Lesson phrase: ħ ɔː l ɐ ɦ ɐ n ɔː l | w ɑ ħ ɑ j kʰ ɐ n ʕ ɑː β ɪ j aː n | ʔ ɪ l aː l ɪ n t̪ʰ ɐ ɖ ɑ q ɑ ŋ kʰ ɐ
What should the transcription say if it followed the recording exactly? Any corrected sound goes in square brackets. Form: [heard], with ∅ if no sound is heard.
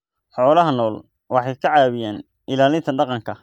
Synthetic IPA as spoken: ħ ɔː l ɐ ɦ ɐ n ɔː l | w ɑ ħ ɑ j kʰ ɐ [∅] ʕ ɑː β ɪ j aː n | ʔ ɪ l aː l ɪ n t̪ʰ ɐ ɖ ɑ q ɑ ŋ kʰ ɐ